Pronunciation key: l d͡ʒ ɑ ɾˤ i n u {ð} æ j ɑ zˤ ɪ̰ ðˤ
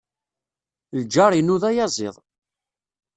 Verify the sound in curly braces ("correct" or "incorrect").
correct